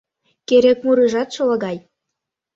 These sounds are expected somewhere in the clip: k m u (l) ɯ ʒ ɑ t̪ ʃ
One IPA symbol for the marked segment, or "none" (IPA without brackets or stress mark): ɾ